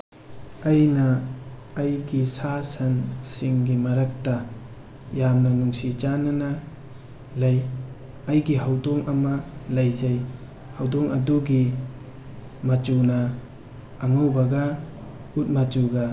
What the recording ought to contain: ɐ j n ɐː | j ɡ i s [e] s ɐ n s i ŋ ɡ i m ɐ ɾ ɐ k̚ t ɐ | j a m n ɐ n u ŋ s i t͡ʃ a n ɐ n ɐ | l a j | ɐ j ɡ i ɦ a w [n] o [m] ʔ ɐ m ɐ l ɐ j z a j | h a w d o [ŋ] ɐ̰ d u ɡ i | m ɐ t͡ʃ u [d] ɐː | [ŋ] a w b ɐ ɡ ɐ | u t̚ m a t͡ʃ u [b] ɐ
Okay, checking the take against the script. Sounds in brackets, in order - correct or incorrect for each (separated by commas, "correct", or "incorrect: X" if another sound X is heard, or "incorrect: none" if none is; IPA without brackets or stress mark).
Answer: incorrect: a, incorrect: d, incorrect: ŋ, correct, incorrect: n, correct, incorrect: ɡ